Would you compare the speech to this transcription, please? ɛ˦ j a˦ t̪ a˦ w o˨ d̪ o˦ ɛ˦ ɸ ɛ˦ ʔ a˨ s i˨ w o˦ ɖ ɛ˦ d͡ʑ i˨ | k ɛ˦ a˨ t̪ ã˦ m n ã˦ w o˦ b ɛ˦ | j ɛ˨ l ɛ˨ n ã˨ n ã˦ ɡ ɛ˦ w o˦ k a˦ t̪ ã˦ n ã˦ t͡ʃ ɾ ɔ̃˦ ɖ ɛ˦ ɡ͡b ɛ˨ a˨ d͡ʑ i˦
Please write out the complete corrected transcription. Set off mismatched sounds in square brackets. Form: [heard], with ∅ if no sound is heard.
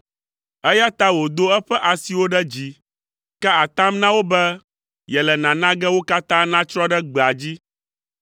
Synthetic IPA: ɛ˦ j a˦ t̪ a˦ w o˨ d̪ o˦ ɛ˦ ɸ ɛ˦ ʔ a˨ s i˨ w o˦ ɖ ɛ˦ d͡ʑ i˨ | k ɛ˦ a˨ t̪ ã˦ m n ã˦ w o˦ b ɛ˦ | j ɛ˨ l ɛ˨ n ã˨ n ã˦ ɡ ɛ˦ w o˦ k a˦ t̪ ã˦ n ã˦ t͡ʃ ɾ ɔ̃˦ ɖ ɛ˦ ɡ͡b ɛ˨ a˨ d͡ʑ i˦